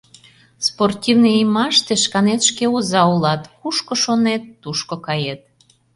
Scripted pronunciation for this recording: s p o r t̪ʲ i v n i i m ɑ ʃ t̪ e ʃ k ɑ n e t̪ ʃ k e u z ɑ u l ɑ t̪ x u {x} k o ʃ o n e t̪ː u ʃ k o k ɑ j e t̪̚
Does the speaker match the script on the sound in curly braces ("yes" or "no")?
no